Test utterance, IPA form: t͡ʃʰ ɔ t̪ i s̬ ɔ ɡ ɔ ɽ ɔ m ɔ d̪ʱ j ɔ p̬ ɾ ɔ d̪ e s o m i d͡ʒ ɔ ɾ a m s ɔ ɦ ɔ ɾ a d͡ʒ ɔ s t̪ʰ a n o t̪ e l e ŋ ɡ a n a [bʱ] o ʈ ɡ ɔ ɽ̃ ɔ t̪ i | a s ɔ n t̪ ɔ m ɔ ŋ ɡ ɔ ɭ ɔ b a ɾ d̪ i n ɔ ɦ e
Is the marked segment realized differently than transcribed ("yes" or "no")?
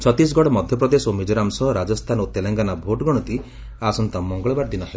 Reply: no